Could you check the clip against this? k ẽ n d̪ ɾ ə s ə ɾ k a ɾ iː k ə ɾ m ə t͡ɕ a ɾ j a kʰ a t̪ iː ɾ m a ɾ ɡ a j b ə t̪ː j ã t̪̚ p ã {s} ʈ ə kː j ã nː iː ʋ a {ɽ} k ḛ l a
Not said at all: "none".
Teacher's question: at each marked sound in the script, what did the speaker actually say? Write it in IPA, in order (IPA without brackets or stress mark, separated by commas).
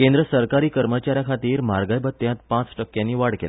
t͡s, ɽ